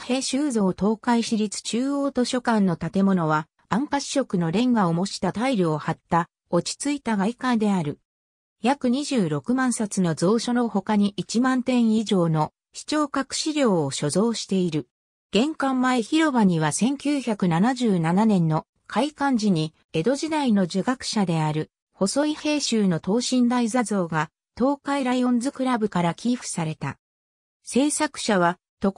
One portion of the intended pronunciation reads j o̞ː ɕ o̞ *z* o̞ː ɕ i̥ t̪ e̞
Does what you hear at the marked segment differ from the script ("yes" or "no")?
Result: no